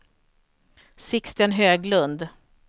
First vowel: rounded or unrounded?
unrounded